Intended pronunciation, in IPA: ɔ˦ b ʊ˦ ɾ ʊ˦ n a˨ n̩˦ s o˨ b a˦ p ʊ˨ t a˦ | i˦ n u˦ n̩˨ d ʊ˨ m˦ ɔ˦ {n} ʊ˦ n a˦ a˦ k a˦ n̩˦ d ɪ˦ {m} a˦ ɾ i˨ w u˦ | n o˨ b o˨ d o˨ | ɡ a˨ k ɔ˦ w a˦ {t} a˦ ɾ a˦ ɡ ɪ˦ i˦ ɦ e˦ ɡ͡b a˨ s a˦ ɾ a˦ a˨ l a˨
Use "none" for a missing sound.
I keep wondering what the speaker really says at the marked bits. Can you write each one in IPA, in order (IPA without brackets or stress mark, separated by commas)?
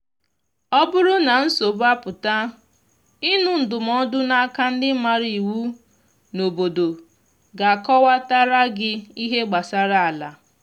d, m, t